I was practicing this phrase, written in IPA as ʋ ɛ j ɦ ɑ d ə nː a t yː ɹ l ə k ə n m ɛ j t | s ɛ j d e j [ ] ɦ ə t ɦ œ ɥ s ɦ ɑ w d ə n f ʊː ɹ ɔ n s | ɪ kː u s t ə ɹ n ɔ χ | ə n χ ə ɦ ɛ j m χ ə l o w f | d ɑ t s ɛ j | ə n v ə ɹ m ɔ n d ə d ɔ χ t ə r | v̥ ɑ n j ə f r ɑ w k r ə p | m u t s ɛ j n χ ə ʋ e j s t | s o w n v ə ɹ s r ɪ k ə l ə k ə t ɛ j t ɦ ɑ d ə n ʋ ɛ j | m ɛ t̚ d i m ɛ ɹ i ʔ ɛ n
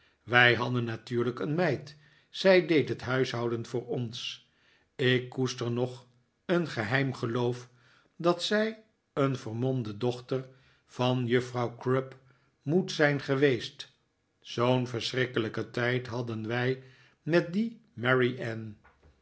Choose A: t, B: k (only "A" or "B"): A